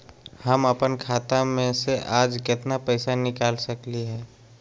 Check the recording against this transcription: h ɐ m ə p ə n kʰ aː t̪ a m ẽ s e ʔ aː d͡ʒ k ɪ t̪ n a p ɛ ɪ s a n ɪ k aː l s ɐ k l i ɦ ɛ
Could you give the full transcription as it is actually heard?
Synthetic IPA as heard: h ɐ m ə p ə n kʰ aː t̪ a m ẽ s e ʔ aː d͡ʒ k ɪ t̪ n a p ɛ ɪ s a n ɪ k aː l s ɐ k l i ɦ ɛː